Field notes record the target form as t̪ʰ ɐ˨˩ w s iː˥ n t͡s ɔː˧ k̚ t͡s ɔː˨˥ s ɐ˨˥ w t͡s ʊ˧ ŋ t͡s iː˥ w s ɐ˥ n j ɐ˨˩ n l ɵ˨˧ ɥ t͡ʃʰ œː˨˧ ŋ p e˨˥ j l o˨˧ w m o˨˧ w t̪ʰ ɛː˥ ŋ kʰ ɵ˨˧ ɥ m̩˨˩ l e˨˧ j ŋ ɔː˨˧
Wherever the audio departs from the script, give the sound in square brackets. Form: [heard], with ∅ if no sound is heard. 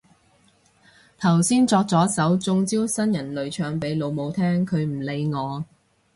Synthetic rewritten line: t̪ʰ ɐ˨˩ w s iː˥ n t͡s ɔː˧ k̚ t͡s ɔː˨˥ s ɐ˨˥ w t͡s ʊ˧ ŋ t͡s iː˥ w s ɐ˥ n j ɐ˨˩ n l ɵ˨˧ ɥ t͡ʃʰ œː˨˧ ŋ p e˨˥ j l o˨˧ w m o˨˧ w t̪ʰ ɛː˥ ŋ kʰ ɵ˨˧ ɥ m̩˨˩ l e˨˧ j ŋ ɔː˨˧